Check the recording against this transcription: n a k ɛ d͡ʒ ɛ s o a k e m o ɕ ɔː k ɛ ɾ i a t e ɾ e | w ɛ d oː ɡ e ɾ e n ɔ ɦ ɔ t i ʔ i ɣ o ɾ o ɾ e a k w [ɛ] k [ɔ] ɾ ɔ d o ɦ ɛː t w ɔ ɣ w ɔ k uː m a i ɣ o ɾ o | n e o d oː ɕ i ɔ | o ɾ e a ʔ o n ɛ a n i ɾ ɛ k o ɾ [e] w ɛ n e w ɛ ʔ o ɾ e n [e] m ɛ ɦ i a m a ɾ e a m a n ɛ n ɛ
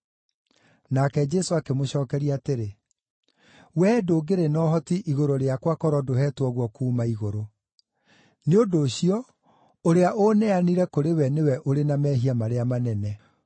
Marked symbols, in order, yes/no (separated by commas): no, yes, yes, no